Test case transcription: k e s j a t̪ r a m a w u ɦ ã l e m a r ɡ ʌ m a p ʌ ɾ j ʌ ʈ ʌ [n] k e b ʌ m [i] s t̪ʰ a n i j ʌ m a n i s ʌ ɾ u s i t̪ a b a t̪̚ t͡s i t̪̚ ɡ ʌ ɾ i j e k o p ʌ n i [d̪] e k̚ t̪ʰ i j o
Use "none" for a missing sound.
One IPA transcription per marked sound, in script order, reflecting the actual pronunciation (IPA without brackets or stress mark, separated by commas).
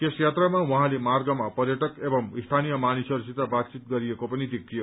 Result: none, i, d̪